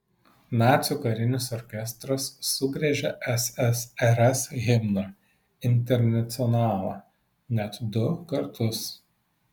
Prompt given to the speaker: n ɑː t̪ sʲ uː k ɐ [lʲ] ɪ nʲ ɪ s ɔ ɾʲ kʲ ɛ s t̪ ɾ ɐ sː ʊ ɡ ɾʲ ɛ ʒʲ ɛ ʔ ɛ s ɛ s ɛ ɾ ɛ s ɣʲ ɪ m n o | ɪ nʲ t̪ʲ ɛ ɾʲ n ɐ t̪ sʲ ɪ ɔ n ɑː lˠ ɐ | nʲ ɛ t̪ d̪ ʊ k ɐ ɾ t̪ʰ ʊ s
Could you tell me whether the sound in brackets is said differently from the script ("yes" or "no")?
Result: yes